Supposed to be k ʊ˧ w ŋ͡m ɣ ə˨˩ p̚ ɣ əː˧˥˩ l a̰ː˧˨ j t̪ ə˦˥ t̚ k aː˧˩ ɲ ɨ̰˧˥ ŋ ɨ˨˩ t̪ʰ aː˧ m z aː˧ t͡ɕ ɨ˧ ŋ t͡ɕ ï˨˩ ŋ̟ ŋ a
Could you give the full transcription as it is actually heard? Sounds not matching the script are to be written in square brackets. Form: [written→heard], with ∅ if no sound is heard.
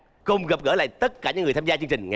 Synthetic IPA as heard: k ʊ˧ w ŋ͡m ɣ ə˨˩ p̚ ɣ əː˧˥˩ l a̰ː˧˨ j t̪ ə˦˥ t̚ k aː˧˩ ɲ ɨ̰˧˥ ŋ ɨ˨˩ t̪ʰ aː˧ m z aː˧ t͡ɕ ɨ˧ ŋ t͡ɕ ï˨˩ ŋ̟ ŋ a